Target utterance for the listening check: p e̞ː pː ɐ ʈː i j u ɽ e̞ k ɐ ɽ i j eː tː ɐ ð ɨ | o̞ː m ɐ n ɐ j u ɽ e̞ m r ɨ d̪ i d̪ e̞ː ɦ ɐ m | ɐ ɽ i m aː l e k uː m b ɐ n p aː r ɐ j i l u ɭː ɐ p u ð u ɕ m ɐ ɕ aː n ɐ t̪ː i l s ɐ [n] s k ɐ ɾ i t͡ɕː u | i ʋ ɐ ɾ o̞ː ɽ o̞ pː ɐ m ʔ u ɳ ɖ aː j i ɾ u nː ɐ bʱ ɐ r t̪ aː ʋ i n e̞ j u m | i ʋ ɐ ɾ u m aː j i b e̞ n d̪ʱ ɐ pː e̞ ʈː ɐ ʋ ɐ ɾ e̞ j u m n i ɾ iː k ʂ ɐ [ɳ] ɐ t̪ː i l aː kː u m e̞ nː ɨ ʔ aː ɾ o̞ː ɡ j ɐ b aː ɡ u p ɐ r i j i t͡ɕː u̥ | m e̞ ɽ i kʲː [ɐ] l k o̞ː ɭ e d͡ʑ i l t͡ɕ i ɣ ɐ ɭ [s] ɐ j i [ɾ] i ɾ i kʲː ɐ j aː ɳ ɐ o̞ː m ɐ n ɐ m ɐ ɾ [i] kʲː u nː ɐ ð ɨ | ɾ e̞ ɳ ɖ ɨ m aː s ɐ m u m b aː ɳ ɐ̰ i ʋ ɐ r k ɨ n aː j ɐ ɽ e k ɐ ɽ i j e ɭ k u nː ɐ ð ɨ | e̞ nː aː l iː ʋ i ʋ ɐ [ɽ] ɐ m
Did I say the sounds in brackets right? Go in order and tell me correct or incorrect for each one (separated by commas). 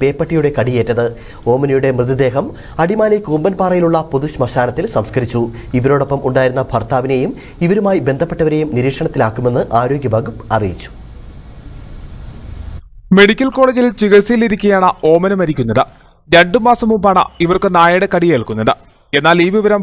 incorrect, correct, correct, correct, incorrect, correct, incorrect